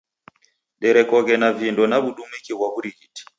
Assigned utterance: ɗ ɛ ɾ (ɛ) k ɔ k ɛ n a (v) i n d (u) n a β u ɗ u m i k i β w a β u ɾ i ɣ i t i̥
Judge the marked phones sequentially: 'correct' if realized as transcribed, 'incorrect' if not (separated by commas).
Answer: correct, correct, incorrect